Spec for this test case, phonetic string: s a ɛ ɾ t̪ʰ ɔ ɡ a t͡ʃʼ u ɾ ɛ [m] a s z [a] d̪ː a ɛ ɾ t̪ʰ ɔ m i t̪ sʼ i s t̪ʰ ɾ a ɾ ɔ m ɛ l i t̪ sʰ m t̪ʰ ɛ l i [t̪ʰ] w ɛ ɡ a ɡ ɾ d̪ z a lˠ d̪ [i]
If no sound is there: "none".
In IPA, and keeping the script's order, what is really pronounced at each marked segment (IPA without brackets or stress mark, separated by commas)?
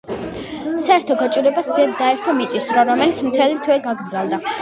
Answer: b, ɛ, t̪ʰ, a